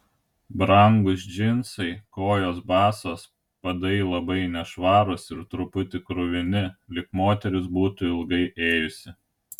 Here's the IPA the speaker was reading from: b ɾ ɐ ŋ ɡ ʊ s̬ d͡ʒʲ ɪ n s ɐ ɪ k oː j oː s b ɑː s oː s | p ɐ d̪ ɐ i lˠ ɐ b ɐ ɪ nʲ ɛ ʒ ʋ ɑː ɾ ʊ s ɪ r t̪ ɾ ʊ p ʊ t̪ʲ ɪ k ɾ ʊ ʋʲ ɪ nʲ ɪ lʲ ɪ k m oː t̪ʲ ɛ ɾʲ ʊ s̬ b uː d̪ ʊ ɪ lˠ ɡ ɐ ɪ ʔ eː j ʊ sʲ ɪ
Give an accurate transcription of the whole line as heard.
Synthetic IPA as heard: b ɾ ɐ ŋ ɡ ʊ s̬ d͡ʒʲ ɪ n s ɐ ɪ k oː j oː s b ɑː s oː s | p ɐ d̪ ɐ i lˠ ɐ b ɐ ɪ nʲ ɛ ʃ ʋ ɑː ɾ ʊ s ɪ ɾ t̪ ɾ ʊ p ʊ t̪ʲ ɪ k ɾ ʊ ʋʲ ɪ nʲ ɪ lʲ ɪ k m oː t̪ʲ ɛ ɾʲ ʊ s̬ b uː t̪ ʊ ɪ lˠ ɡ ɐ ɪ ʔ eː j ʊ sʲ ɪ